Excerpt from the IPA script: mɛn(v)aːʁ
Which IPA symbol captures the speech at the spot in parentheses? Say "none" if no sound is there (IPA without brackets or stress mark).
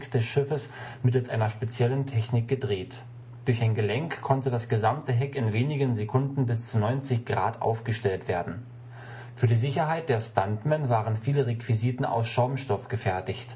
v